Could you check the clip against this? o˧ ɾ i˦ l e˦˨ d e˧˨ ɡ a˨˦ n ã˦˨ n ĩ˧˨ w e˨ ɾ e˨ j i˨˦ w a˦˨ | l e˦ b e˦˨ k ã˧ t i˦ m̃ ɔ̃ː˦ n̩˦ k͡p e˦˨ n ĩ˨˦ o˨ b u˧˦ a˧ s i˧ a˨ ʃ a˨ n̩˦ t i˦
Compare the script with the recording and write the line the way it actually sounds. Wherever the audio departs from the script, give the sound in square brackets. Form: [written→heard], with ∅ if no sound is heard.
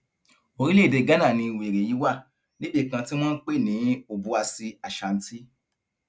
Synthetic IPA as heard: o˧ ɾ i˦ l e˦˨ d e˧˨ ɡ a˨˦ n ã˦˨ n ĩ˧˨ w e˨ ɾ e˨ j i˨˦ w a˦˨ | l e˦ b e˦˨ k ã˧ t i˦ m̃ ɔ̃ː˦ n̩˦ k͡p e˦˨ n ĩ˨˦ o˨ b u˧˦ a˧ s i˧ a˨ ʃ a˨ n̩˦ t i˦